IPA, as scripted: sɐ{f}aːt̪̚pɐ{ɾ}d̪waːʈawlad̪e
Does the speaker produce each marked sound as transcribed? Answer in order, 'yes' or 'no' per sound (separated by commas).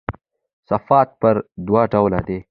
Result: yes, yes